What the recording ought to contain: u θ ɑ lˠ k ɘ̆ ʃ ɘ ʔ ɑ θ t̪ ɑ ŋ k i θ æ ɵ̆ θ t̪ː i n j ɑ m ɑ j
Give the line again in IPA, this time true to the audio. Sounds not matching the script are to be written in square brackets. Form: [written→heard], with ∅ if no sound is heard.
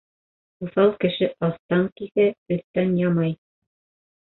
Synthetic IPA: u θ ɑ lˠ k ɘ̆ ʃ ɘ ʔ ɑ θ t̪ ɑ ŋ k i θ æ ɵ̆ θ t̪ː [i→æ] n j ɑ m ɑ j